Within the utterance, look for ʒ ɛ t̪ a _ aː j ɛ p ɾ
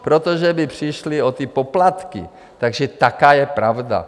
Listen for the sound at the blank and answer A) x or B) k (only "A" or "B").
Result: B